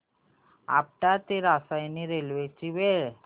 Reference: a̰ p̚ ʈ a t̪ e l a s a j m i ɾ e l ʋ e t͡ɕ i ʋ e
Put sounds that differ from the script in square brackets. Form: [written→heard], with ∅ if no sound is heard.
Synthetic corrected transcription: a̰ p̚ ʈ a t̪ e [l→ɾ] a s a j [m→n] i ɾ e l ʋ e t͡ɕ i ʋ e